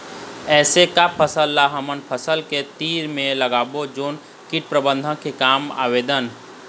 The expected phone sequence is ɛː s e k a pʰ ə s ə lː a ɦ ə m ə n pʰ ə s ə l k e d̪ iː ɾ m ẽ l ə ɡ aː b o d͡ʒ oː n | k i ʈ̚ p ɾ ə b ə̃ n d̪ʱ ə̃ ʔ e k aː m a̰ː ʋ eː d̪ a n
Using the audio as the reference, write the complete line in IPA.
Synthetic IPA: ɛː s e k a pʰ ə s ə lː a ɦ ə m ə n pʰ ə s ə l k e t̪ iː ɾ m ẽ l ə ɡ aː b o d͡ʒ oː n | k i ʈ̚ p ɾ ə b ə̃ n d̪ʱ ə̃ k e k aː m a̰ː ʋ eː d̪ ə n